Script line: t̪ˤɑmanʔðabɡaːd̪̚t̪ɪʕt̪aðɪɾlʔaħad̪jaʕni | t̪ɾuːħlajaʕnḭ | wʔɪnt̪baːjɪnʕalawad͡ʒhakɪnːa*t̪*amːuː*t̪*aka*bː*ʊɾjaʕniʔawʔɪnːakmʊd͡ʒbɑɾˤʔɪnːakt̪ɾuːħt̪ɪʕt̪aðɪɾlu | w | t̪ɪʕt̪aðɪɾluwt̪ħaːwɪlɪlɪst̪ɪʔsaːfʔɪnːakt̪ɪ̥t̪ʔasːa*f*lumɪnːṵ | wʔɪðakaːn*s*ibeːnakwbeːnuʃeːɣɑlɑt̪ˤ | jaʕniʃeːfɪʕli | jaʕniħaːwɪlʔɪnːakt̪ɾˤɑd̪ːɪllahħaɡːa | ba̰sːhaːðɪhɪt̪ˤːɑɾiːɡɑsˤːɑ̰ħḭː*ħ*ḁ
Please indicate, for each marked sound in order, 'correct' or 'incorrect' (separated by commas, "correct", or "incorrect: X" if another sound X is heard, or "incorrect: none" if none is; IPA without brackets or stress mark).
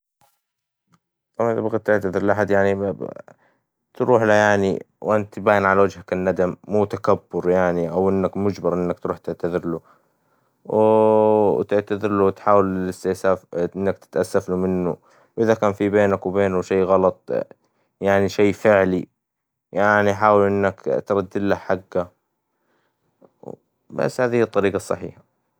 incorrect: d̪, correct, correct, correct, incorrect: f, correct